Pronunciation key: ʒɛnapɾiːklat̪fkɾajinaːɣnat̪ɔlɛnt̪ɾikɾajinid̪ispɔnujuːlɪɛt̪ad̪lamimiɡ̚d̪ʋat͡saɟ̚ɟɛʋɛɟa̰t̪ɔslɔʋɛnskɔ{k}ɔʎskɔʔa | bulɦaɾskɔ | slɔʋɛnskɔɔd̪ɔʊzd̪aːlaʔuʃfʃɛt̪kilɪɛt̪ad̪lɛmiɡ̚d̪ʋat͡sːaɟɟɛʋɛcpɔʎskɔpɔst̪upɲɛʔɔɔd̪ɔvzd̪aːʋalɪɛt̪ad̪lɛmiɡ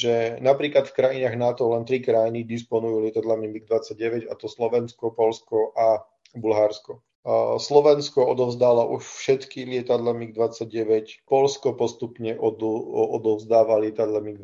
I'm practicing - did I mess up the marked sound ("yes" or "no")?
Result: yes